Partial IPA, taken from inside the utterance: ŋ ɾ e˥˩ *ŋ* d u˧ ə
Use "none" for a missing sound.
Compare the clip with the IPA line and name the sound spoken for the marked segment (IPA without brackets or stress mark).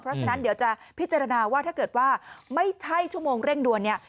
ŋ